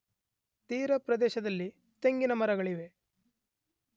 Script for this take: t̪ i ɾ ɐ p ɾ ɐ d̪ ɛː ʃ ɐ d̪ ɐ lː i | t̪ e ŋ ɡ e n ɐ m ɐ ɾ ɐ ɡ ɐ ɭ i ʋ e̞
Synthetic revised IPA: t̪ iː ɾ ɐ p ɾ ɐ d̪ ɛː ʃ ɐ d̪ ɐ lː i | t̪ e ŋ ɡ i n ɐ m ɐ ɾ ɐ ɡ ɐ ɭ i ʋ e̞